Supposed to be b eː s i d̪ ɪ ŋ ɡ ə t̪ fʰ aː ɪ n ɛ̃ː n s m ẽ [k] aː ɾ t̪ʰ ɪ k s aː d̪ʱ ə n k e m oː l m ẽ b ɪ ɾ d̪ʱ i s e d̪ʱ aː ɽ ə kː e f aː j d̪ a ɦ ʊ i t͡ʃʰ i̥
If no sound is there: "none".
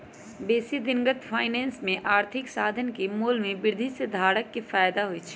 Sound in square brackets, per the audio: ʔ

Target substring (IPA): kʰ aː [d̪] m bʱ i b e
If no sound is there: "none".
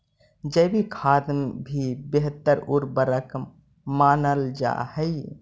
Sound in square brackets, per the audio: d̪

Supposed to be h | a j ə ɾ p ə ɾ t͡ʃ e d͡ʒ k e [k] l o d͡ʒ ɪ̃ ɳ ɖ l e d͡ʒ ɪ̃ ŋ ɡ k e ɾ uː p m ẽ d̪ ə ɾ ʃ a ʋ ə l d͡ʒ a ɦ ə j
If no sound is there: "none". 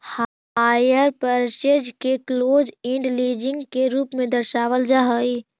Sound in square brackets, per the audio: k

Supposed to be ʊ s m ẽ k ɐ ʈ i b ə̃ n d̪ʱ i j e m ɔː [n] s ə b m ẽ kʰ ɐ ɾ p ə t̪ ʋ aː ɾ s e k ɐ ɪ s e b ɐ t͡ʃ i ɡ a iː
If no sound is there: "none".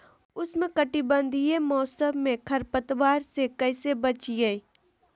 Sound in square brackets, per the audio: none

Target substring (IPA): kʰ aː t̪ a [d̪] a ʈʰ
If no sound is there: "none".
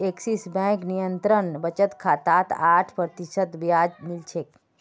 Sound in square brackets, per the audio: t̪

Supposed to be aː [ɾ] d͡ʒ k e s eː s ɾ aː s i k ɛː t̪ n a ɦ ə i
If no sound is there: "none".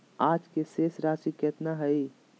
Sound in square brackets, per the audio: none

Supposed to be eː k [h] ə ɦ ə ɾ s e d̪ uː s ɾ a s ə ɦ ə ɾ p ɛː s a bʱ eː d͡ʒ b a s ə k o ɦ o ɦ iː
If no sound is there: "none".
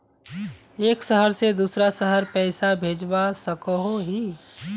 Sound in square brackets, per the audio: s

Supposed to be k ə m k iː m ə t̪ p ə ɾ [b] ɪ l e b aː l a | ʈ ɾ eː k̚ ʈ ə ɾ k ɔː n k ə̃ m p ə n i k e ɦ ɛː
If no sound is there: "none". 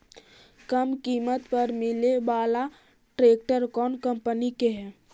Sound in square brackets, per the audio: m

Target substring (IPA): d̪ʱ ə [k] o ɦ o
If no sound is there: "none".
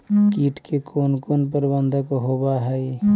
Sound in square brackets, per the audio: k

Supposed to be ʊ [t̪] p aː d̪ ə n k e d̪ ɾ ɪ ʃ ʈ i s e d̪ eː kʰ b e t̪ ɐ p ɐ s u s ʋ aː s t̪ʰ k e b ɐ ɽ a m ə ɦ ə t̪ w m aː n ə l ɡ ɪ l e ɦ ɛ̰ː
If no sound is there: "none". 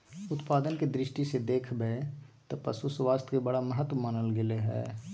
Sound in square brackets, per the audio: t̪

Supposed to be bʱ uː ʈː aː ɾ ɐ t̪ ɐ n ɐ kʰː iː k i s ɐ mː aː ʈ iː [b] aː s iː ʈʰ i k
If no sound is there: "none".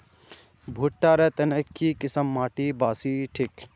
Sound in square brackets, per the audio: b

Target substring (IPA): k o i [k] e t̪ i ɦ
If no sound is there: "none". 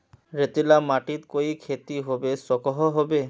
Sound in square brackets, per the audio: kʰ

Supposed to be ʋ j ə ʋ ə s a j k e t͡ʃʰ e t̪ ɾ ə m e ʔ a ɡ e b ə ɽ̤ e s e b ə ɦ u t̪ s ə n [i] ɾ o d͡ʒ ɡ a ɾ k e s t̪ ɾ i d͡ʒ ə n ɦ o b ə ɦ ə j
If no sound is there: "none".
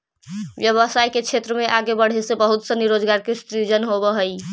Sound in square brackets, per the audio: i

